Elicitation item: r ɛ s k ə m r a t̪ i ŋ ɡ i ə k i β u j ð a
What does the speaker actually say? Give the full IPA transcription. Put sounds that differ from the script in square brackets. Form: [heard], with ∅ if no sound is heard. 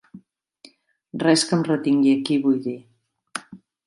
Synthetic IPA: r ɛ s k ə m r [ə] t̪ i ŋ ɡ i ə k i β u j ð [i]